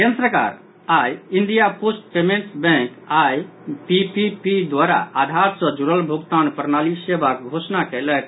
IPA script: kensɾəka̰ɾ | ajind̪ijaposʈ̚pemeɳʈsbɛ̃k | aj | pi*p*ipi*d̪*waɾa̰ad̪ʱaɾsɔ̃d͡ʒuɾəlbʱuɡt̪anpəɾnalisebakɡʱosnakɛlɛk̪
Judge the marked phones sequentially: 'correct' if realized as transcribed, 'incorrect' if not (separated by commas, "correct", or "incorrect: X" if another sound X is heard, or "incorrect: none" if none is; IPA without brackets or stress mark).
correct, correct